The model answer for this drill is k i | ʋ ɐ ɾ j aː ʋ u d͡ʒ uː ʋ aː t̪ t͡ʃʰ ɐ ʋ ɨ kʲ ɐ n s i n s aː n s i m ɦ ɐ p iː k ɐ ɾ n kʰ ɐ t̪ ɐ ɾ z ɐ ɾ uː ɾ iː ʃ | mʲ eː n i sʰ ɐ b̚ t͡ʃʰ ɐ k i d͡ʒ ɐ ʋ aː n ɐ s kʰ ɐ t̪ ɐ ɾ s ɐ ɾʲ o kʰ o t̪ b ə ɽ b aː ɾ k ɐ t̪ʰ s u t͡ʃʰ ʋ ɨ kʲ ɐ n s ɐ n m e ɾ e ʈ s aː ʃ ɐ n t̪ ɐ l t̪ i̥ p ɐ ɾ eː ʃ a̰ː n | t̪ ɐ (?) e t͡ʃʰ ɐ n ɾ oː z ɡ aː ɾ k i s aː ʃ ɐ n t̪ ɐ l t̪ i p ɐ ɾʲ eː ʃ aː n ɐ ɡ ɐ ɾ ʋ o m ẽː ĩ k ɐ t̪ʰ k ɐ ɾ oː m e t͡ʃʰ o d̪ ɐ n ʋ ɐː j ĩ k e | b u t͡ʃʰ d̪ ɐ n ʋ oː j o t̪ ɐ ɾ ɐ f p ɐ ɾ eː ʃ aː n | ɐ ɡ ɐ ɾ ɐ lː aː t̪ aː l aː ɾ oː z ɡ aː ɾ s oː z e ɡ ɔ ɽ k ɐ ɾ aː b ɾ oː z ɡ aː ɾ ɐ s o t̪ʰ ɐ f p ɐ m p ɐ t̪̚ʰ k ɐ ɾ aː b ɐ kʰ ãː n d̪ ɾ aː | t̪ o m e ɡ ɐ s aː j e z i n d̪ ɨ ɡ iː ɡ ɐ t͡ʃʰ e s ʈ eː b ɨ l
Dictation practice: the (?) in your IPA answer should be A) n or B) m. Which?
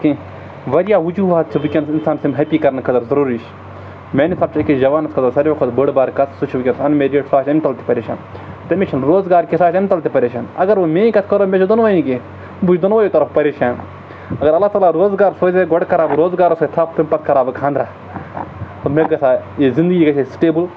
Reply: B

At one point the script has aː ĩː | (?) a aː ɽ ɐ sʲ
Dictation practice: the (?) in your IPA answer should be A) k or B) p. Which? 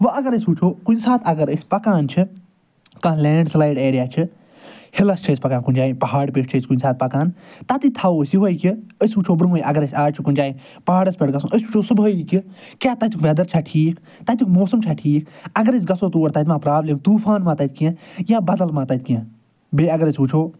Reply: B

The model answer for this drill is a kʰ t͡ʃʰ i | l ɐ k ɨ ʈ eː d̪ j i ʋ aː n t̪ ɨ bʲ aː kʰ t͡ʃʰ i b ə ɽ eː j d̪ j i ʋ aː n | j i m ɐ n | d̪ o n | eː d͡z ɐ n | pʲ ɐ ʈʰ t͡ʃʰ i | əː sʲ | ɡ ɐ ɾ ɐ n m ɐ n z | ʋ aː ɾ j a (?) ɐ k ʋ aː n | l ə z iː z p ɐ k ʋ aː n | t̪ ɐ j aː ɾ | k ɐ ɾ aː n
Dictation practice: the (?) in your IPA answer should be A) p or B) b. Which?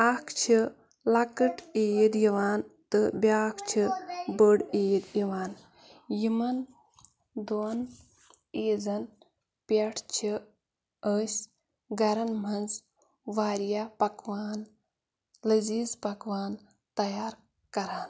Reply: A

